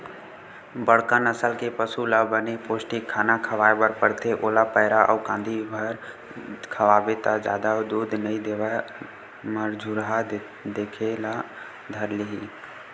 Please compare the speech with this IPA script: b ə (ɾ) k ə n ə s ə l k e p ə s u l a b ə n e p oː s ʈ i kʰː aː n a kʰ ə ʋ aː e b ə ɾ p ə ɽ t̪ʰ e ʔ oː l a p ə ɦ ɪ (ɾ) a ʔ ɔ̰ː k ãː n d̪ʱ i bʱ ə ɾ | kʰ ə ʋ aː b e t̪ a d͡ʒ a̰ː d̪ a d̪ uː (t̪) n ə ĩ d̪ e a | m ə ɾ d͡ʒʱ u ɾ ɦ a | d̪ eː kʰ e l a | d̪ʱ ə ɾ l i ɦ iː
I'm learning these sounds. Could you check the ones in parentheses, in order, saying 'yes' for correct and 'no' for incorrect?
no, yes, no

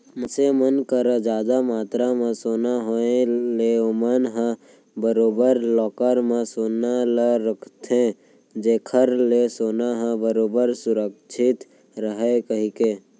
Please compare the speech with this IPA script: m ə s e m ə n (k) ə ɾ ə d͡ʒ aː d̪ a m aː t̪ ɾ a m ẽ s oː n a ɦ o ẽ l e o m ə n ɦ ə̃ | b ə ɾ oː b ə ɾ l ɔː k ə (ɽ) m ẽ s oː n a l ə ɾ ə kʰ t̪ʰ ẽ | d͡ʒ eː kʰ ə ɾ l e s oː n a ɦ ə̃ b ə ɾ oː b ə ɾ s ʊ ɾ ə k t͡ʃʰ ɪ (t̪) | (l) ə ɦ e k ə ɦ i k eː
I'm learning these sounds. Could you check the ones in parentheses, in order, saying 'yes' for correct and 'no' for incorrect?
yes, no, yes, no

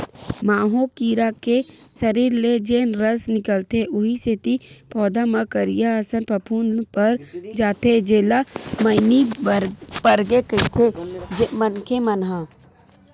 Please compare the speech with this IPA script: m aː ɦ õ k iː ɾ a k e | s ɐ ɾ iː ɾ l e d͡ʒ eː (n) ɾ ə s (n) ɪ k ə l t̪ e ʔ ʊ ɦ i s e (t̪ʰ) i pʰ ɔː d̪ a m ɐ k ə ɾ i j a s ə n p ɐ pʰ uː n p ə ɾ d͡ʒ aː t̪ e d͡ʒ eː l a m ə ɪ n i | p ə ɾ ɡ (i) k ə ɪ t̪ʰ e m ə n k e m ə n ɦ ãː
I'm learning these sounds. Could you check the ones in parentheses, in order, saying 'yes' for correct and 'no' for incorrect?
yes, yes, no, no

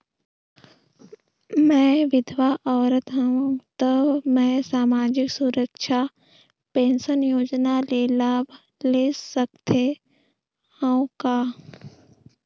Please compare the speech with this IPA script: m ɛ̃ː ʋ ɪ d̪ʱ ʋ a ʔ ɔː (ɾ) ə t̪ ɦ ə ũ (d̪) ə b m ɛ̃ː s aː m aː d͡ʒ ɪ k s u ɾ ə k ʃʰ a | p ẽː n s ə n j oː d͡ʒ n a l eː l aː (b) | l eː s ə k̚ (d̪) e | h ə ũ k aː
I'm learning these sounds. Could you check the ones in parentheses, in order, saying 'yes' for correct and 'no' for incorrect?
yes, no, yes, no

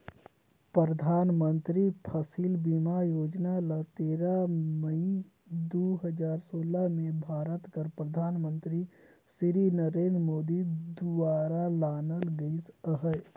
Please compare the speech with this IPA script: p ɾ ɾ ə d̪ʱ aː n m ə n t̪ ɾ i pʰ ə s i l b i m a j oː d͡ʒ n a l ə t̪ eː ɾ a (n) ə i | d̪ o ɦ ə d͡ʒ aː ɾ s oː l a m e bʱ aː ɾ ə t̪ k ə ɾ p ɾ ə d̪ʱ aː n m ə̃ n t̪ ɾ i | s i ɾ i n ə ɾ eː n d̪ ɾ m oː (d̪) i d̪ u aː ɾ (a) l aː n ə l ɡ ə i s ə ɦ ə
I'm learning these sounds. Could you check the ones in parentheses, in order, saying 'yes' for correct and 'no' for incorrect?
no, yes, yes

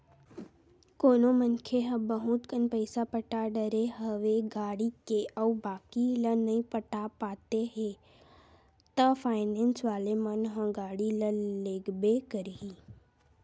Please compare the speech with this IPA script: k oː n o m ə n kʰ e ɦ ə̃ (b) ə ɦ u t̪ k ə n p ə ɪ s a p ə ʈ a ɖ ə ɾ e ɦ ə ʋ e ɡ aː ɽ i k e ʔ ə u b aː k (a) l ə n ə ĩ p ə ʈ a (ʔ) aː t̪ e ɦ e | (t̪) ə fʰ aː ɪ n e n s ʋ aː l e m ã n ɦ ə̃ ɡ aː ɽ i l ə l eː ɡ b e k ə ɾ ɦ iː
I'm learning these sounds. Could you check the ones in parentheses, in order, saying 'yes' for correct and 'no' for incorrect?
yes, no, no, yes

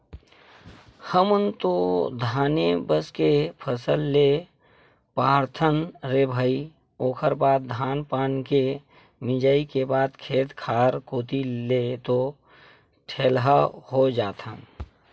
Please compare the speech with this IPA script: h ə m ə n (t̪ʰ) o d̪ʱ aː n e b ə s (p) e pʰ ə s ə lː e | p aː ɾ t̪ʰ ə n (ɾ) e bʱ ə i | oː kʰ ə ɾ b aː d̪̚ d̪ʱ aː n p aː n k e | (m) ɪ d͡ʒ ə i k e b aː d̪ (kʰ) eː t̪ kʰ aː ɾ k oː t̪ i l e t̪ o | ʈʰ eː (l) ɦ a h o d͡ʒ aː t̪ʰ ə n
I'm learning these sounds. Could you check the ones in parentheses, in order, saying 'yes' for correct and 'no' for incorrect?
no, no, yes, yes, yes, yes

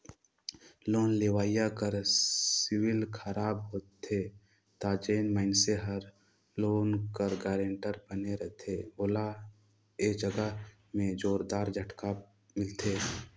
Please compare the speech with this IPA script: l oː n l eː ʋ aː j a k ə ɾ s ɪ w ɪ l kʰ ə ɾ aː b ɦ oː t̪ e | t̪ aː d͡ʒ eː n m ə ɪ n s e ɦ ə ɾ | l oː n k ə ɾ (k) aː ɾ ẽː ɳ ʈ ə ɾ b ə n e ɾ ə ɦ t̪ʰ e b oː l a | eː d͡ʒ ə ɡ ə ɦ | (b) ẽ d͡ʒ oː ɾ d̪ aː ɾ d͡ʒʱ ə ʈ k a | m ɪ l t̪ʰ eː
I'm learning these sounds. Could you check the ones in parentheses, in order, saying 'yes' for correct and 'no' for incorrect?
no, no

